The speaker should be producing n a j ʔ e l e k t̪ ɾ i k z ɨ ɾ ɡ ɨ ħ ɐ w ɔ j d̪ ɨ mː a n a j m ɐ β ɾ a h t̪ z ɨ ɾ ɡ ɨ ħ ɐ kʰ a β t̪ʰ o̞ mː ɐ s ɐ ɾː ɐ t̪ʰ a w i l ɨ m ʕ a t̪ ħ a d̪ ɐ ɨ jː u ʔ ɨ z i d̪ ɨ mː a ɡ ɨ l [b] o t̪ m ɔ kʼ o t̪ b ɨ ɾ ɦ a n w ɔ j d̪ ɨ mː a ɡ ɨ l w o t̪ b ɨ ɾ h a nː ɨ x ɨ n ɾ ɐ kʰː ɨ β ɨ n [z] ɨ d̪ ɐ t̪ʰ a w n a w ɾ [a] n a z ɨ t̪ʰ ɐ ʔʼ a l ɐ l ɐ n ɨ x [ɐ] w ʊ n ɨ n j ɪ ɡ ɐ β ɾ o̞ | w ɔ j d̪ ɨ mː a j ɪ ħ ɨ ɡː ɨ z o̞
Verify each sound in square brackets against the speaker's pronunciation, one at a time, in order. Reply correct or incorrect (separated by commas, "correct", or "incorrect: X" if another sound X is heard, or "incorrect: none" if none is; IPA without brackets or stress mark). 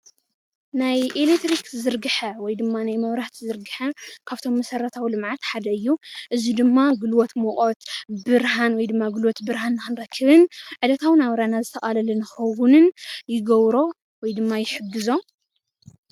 incorrect: w, incorrect: ʕ, correct, correct